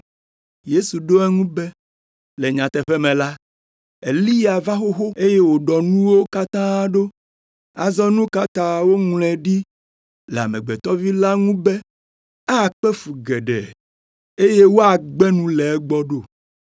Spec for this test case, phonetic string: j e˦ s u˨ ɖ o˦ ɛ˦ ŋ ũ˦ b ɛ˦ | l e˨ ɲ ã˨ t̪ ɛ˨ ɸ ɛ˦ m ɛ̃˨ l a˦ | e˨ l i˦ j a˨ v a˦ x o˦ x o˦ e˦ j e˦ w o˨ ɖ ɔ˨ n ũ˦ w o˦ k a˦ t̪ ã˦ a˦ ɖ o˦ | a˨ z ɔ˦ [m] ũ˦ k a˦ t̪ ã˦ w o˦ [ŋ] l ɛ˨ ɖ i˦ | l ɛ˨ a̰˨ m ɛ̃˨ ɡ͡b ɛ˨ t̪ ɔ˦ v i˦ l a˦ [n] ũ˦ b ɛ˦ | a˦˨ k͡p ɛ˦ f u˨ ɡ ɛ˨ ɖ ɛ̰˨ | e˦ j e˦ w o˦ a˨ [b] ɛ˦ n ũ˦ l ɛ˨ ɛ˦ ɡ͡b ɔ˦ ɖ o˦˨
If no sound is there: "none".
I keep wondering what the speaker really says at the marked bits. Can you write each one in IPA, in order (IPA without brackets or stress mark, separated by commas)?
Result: n, ŋ, ŋ, ɡ͡b